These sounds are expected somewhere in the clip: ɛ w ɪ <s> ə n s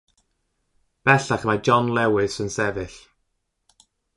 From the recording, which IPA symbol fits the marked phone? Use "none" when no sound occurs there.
s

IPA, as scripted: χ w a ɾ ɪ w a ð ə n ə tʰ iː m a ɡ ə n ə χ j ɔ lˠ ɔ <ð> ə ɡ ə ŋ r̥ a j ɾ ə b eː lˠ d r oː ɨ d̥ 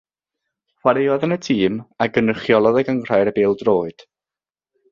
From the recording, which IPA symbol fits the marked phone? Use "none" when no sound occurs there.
ð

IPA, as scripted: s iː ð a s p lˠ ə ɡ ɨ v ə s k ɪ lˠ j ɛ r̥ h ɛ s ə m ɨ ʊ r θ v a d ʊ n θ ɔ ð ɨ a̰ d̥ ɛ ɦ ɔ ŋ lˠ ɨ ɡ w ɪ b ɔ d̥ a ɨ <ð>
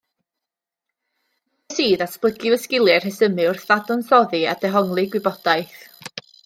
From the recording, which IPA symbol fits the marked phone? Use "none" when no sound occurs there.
θ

